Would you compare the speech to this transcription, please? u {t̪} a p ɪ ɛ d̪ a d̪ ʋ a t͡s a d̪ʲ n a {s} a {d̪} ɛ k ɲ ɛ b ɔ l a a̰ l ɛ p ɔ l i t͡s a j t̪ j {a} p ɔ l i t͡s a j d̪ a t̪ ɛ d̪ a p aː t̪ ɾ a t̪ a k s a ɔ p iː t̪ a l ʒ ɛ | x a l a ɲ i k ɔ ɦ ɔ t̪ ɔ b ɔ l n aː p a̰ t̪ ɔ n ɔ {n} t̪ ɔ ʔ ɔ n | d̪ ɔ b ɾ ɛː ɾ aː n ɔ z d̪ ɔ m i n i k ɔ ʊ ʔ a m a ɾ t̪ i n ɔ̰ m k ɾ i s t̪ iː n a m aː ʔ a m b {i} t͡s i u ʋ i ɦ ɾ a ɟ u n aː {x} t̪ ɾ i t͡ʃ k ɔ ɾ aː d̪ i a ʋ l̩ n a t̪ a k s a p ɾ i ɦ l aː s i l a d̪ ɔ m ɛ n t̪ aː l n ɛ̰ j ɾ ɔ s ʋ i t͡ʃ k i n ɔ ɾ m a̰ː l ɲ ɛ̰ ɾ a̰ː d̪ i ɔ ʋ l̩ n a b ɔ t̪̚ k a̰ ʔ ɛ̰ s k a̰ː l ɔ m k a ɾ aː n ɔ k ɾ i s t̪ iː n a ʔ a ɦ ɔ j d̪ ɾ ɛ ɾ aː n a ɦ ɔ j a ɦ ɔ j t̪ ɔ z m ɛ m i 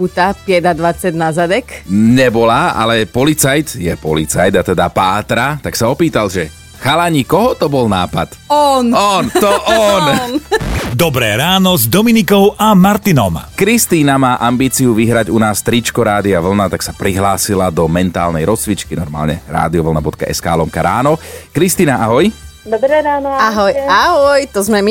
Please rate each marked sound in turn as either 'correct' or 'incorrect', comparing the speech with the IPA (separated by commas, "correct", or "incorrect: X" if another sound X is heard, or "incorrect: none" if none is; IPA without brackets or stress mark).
correct, incorrect: z, correct, incorrect: ɛ, correct, incorrect: iː, incorrect: s